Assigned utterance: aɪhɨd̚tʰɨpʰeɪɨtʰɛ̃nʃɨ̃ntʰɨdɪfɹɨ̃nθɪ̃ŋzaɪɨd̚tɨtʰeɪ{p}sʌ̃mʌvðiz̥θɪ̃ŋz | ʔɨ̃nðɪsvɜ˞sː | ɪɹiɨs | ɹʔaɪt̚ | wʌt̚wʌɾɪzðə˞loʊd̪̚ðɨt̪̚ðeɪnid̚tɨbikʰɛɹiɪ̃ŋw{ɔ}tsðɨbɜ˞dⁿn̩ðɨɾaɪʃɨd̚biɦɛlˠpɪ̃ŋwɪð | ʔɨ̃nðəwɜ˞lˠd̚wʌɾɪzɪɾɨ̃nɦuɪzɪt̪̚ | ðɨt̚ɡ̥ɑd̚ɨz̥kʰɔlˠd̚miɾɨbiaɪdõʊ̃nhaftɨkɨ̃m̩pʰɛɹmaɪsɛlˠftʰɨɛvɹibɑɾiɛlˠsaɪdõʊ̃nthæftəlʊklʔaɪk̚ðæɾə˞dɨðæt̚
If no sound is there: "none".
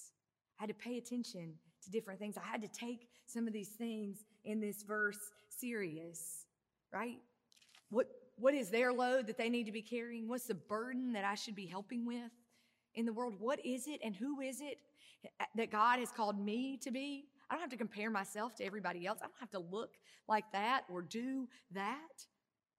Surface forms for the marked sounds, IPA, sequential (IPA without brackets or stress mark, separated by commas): k, ʌ